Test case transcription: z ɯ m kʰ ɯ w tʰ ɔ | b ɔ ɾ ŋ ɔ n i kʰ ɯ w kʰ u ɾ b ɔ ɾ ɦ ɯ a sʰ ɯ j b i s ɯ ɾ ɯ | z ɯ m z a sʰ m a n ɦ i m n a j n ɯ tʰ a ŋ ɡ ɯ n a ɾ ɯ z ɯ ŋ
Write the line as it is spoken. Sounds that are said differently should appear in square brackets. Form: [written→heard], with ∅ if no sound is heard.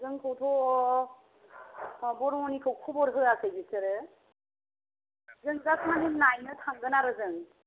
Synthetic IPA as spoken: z ɯ [m→ŋ] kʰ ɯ w tʰ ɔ | b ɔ ɾ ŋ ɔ n i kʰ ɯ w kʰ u [ɾ→∅] b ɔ ɾ ɦ ɯ a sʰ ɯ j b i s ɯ ɾ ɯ | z ɯ [m→ŋ] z a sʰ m a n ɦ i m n a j n ɯ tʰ a ŋ ɡ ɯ n a ɾ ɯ z ɯ ŋ